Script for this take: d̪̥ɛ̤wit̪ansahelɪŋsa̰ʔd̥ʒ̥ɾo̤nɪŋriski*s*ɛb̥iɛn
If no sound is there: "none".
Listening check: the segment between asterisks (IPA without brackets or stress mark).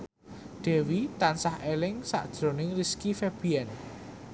f